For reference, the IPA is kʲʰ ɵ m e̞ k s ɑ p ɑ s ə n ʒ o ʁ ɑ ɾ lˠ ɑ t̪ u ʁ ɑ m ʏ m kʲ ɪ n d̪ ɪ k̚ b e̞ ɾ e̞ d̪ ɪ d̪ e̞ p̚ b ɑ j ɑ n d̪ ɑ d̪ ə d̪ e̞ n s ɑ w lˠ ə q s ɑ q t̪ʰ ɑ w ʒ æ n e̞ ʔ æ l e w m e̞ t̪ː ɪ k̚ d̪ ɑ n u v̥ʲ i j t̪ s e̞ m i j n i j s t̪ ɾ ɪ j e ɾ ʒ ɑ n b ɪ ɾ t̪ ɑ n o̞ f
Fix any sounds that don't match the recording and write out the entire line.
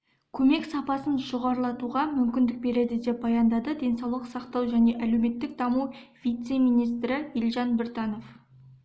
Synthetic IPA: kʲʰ ɵ m e̞ k s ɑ p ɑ s ə n ʒ o ʁ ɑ ɾ lˠ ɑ t̪ u ʁ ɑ m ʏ m kʲ ɪ n d̪ ɪ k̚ b e̞ ɾ e̞ d̪ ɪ d̪ e̞ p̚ b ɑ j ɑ n d̪ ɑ d̪ ə d̪ e̞ n s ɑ w lˠ ə q s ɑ q t̪ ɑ w ʒ æ n e̞ ʔ æ l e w m e̞ t̪ː ɪ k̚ d̪ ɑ m u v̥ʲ i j t̪ s e̞ m i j n i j s t̪ ɾ ɪ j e l ʒ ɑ n b ɪ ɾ t̪ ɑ n o̞ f